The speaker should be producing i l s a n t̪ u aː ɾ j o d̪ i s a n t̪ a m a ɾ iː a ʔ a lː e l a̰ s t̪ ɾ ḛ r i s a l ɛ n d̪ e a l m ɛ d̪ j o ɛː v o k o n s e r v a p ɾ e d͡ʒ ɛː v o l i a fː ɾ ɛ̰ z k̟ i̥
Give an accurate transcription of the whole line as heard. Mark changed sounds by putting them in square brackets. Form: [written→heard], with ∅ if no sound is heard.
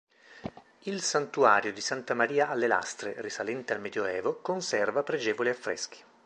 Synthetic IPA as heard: i l s a n t̪ u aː ɾ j o d̪ i s a n t̪ a m a ɾ iː a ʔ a lː e l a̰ s t̪ ɾ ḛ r i s a l ɛ n [d̪→t̪] e a l m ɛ d̪ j o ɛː v o k o n s [e→ɛ] r v a p ɾ e d͡ʒ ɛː v o l i a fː ɾ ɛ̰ [z→s] k̟ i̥